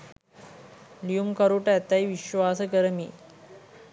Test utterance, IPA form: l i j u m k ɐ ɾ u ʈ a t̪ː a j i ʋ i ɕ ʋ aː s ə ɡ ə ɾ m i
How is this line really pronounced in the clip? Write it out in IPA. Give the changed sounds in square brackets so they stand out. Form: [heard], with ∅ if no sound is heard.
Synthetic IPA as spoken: l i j u m k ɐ ɾ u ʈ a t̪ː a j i ʋ i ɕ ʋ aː s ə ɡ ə ɾ m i